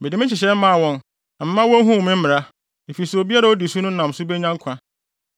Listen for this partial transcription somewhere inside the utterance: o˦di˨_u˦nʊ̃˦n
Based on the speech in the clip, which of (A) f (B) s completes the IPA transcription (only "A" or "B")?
B